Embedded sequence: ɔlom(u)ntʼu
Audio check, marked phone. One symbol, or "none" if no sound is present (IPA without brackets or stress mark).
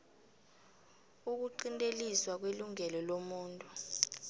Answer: uː